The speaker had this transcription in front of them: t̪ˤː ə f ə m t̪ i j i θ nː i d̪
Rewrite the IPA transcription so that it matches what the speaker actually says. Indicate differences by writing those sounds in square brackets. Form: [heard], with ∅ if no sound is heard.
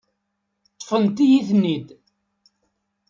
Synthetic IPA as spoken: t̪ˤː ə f ə [n] t̪ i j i θ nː i d̪